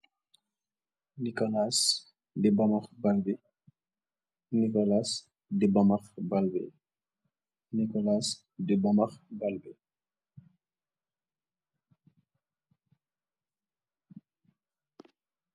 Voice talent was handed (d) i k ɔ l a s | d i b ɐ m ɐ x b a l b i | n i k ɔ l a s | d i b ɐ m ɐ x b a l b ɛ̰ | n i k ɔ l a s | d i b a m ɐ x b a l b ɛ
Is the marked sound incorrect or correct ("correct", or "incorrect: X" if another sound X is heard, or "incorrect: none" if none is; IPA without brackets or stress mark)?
incorrect: n